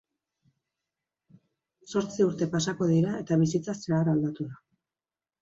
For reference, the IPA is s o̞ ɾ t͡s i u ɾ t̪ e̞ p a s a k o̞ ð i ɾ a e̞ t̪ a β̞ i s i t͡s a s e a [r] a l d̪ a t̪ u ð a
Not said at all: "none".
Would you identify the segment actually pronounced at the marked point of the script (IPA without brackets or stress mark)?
ɾ